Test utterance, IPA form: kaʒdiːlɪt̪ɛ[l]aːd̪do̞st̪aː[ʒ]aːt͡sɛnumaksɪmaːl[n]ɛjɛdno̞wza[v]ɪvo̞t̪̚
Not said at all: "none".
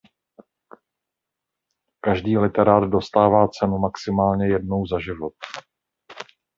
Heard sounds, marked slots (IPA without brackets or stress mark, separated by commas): ɾ, v, ɲ, ʒ